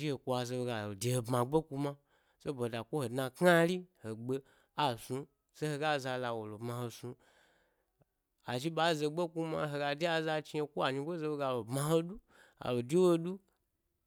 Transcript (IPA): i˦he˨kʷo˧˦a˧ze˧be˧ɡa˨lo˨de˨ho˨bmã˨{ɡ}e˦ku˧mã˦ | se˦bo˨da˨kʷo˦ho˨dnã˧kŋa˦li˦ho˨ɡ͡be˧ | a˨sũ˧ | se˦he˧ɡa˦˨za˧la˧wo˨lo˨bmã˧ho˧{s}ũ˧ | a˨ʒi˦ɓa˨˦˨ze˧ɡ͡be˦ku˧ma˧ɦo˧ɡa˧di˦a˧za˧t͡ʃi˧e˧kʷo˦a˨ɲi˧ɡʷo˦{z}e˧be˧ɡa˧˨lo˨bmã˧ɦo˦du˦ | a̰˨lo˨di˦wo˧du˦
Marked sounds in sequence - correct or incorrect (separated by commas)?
incorrect, correct, correct